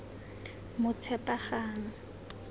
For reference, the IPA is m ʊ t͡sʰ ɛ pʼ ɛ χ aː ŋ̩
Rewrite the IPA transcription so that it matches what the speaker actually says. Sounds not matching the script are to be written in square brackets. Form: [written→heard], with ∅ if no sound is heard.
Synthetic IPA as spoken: m ʊ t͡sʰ ɛ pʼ [ɛ→a] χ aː ŋ̩